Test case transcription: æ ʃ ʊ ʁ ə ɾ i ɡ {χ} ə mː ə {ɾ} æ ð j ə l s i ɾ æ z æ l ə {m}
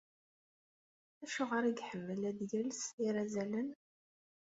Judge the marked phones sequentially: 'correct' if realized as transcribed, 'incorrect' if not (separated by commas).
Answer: incorrect, incorrect, incorrect